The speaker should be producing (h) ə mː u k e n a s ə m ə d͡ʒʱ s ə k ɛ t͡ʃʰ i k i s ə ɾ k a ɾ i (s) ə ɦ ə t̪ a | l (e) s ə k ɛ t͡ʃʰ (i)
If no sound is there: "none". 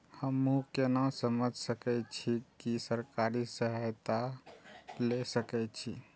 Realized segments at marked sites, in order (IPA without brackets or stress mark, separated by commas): h, s, e, i